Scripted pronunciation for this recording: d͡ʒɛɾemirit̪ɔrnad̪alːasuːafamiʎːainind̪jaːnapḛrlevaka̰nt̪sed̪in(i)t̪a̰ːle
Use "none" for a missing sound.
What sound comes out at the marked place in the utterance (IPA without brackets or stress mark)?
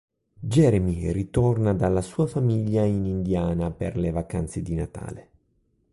a